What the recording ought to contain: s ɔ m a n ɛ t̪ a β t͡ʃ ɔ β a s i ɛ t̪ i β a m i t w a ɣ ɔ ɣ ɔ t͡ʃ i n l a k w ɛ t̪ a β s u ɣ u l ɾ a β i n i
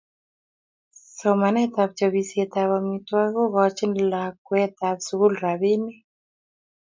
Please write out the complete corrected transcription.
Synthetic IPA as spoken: s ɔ m a n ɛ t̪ a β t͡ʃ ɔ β i s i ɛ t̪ a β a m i t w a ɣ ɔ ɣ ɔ t͡ʃ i n l a k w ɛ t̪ a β s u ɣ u l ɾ a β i n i